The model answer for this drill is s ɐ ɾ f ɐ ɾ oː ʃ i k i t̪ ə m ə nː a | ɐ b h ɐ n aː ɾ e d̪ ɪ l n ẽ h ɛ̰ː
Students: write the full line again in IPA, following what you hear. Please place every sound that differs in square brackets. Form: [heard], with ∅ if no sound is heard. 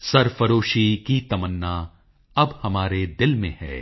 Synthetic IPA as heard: s ɐ ɾ f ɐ ɾ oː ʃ i k i t̪ [ɐ] m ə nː a | ɐ b h ɐ [m] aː ɾ e d̪ ɪ l [m] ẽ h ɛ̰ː